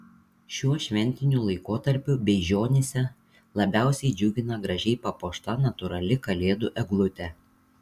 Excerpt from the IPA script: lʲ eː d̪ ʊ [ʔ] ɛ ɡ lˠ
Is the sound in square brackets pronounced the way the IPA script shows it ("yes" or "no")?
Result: yes